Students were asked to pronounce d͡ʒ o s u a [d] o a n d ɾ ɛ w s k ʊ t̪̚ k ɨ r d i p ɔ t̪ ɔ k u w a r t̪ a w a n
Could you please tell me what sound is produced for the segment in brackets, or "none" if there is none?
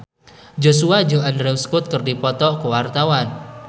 d͡ʒ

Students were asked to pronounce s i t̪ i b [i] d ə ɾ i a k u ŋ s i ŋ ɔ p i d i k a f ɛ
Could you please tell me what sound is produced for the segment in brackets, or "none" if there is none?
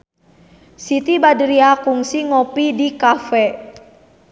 a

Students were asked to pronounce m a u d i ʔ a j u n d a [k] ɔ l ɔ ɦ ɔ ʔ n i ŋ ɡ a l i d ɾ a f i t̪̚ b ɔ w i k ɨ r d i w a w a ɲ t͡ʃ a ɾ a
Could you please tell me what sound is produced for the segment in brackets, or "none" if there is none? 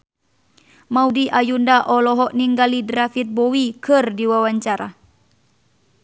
ʔ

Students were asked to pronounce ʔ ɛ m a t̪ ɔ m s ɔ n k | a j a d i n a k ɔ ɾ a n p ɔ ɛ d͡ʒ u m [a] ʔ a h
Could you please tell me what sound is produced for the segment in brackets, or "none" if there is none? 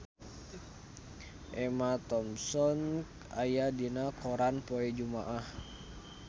a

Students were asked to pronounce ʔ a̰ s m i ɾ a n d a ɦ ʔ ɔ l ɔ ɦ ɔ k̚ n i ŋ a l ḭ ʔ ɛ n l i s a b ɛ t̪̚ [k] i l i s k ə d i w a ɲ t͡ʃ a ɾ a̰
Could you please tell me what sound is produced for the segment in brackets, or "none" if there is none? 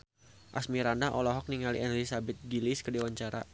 ɡ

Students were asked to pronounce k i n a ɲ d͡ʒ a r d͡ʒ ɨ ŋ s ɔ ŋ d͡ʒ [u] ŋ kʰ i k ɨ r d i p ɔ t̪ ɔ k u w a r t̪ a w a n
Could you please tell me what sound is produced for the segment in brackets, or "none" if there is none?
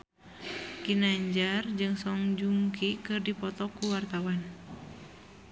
u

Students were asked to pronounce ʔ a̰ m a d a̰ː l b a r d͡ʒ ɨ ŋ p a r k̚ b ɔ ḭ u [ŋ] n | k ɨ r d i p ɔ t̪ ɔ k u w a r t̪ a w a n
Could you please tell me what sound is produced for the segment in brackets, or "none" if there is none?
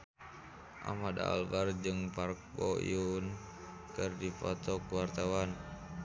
none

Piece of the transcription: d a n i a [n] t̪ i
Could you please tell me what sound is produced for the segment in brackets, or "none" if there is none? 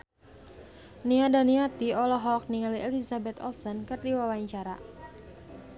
none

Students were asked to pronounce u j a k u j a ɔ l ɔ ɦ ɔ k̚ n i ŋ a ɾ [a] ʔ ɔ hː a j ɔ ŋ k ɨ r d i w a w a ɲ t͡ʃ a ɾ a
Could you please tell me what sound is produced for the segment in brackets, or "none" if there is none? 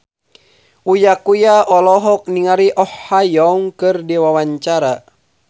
i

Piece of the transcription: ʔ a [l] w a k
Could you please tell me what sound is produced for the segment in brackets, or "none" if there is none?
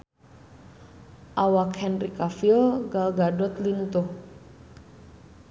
none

